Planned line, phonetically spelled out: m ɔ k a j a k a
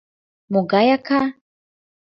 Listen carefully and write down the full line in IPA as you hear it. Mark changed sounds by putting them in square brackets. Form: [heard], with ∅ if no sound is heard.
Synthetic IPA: m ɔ [ɡ] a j a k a